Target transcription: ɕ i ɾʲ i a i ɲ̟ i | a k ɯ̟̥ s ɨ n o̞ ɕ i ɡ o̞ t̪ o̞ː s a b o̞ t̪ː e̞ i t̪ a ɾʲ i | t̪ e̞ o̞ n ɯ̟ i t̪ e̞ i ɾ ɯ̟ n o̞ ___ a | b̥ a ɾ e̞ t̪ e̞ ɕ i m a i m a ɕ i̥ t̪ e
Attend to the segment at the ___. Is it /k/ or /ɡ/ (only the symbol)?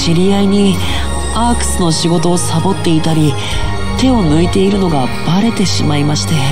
ɡ